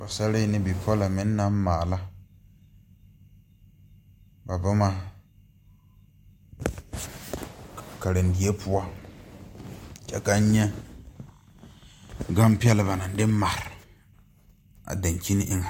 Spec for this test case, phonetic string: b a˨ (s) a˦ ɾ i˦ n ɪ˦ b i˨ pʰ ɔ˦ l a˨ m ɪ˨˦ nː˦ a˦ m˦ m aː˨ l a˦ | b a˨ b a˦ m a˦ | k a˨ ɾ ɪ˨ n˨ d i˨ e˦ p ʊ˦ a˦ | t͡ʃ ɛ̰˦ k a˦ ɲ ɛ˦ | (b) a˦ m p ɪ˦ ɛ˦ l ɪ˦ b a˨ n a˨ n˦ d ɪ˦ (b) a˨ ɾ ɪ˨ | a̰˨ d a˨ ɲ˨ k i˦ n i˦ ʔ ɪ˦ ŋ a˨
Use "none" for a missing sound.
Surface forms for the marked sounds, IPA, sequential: s, ɡ, m

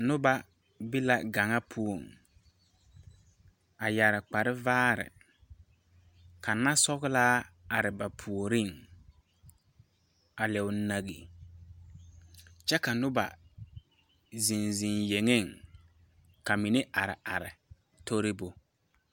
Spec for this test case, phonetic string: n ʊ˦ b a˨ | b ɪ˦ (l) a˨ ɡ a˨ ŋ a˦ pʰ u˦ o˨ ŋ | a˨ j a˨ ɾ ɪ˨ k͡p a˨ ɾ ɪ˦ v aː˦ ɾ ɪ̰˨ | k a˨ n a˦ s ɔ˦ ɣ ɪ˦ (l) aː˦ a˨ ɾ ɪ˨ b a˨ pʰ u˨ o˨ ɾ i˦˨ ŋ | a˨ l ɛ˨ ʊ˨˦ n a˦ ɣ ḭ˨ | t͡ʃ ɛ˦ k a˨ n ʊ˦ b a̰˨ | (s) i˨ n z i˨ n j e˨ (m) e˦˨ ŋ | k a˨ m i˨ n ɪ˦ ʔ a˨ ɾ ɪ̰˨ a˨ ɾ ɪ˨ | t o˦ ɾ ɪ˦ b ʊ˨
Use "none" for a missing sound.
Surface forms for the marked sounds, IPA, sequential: l, l, z, ŋ

